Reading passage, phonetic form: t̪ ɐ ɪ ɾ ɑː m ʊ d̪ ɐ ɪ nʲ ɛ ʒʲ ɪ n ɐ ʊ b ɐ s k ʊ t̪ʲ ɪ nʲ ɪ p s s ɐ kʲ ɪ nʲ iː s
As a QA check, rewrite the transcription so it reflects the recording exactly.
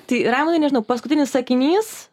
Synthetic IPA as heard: t̪ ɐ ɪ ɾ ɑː m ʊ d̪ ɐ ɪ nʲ ɛ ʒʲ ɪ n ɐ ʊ p ɐ s k ʊ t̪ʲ ɪ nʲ ɪ s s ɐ kʲ ɪ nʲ iː s